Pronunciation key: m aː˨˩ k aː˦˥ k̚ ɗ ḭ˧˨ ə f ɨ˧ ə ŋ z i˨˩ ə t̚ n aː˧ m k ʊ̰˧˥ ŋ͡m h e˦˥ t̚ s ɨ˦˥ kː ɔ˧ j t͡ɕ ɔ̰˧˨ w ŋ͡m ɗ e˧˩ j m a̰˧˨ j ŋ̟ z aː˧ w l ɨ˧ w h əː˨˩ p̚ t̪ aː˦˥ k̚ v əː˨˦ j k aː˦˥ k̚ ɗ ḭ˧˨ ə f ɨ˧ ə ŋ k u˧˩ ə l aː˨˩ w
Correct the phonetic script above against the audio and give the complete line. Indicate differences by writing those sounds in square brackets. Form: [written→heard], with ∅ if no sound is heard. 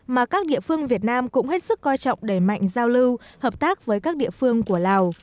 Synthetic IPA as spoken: m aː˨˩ k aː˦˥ k̚ ɗ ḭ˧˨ ə f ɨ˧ ə ŋ [z→v] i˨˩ ə t̚ n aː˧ m k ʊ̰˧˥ ŋ͡m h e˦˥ t̚ s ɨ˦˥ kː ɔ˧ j t͡ɕ ɔ̰˧˨ w ŋ͡m ɗ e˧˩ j m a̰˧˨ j ŋ̟ z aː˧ w l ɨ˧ w h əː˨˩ p̚ t̪ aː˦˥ k̚ v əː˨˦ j k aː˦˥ k̚ ɗ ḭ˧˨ ə f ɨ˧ ə ŋ k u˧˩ ə l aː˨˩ w